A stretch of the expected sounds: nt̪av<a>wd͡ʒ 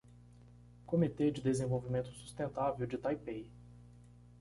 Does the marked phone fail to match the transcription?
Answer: yes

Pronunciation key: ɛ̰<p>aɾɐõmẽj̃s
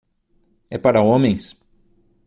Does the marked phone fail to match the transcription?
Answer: no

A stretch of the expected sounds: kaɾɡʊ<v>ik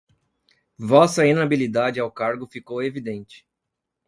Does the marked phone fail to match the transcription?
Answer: yes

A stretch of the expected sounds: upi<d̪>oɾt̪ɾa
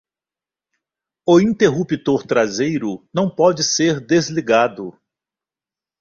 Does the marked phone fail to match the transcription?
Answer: yes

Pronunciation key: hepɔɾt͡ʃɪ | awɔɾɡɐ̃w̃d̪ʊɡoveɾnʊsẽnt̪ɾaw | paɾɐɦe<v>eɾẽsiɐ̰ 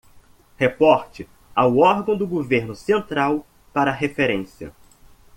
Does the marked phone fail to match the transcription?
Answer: yes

